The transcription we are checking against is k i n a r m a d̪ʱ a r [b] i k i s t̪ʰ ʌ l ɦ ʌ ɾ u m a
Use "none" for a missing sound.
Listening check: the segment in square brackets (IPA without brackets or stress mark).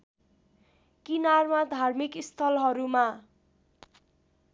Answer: m